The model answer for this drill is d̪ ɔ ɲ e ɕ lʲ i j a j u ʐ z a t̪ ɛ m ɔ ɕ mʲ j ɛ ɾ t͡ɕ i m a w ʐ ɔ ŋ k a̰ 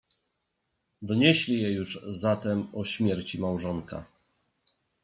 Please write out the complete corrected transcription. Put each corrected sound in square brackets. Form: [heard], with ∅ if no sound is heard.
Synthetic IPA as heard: d̪ ɔ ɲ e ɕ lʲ i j [ɛ] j u ʐ z a t̪ ɛ m ɔ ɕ mʲ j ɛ ɾ t͡ɕ i m a w ʐ ɔ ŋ k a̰